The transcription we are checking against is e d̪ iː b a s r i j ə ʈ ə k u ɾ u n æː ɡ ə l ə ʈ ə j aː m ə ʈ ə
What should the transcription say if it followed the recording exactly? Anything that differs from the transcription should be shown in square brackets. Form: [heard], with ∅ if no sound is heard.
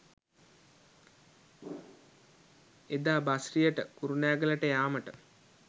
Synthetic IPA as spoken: e d̪ [aː] b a s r i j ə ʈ ə k u ɾ u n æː ɡ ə l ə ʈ ə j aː m ə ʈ ə